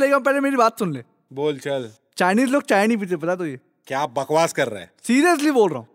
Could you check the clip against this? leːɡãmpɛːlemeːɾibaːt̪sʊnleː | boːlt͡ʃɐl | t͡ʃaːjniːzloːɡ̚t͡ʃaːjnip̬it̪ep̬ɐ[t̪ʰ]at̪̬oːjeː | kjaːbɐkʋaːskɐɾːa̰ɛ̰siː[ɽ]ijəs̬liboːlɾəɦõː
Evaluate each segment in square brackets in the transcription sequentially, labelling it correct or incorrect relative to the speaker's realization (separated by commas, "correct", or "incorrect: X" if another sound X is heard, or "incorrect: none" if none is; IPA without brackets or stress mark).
incorrect: t̪, incorrect: ɾ